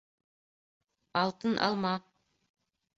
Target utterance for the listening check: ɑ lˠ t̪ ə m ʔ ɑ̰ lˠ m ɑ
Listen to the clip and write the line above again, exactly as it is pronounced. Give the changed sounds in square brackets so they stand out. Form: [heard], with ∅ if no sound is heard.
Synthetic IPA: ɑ lˠ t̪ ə [n] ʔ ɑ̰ lˠ m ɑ